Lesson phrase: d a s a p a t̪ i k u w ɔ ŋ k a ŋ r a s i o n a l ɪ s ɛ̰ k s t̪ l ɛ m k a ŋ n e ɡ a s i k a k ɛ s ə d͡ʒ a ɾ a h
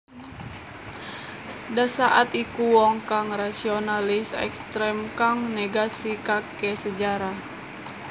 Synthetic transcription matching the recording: d a s a ʔ a t̪ i k u w ɔ ŋ k a ŋ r a s i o n a l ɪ s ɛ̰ k s t̪ ɾ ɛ m k a ŋ n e ɡ a s i k a k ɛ s ə d͡ʒ a ɾ a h